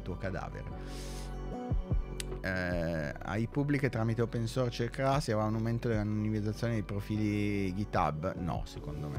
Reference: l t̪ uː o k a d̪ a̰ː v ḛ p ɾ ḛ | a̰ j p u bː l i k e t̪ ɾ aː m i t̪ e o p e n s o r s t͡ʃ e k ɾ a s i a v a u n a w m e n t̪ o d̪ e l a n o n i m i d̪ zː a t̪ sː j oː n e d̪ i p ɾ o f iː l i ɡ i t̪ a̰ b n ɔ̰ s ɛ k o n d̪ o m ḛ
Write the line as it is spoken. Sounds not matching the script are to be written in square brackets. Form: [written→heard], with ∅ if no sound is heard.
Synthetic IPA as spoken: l t̪ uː o k a d̪ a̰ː v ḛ [p→∅] ɾ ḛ | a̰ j p u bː l i k e t̪ ɾ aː m i t̪ e o p e n s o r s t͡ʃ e k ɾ a s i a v a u n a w m e n t̪ o d̪ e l a n o n i m i d̪ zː a t̪ sː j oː n e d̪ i p ɾ o f iː l i ɡ i t̪ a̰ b n ɔ̰ s [ɛ→e] k o n d̪ o m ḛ